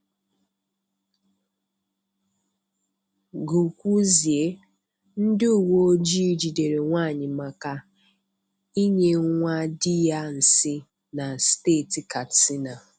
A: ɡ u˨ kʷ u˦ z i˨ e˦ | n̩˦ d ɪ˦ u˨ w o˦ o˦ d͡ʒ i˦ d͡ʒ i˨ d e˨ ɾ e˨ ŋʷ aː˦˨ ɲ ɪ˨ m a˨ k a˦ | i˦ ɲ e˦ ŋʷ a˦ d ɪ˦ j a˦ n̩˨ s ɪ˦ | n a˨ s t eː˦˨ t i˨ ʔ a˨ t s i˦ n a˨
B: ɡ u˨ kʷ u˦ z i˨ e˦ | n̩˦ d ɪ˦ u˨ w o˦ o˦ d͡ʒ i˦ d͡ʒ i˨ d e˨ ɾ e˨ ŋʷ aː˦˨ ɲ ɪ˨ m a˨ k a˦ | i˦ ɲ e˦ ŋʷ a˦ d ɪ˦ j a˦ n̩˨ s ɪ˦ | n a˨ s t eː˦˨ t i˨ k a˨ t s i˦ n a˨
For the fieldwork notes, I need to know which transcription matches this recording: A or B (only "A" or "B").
B